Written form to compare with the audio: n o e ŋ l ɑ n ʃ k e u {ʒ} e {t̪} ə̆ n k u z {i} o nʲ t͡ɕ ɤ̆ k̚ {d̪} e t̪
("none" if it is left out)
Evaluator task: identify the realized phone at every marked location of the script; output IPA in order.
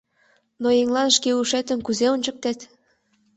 ʃ, t̪, e, t̪

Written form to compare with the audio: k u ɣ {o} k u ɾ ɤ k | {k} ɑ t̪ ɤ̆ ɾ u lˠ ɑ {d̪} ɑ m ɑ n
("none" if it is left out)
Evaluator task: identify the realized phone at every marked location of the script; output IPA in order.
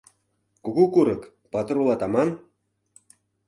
u, p, t̪

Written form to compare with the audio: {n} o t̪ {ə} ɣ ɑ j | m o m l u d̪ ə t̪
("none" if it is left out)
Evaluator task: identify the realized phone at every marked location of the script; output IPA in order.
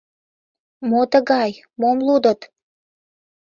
m, ə

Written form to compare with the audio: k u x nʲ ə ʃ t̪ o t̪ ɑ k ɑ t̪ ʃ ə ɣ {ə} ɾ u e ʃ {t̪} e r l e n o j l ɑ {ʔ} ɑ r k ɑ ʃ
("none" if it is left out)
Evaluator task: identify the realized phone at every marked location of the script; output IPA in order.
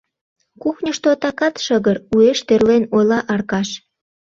ə, t̪, ʔ

